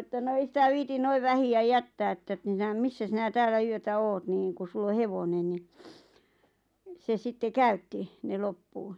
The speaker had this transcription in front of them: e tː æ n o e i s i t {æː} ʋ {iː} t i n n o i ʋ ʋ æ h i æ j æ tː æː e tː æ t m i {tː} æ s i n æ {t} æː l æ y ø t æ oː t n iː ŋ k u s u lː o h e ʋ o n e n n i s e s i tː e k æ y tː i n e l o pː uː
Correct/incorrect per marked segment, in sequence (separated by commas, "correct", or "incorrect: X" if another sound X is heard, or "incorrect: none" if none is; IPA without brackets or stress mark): incorrect: æ, correct, incorrect: sː, correct